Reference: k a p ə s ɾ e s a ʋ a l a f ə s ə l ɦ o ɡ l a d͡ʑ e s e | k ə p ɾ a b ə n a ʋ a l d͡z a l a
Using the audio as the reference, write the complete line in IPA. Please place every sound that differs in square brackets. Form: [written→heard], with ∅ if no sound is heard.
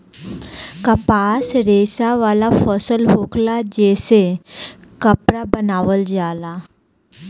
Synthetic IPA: k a p [ə→a] s ɾ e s a ʋ a l a f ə s ə l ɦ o [ɡ→k] l a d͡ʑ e s e | k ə p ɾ a b ə n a ʋ [a→ə] l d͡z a l a